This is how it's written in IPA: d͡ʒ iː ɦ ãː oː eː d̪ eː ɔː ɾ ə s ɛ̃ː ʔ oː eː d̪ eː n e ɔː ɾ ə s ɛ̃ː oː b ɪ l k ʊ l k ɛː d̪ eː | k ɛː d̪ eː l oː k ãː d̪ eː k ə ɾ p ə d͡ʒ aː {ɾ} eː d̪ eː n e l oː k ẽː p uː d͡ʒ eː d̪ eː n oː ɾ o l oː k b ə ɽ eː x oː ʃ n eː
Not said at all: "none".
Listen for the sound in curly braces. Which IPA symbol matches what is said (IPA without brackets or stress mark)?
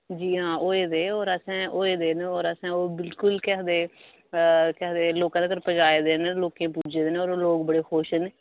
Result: none